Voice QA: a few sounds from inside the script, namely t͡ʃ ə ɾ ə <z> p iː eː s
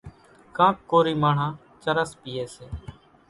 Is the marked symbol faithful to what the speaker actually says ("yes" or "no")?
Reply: no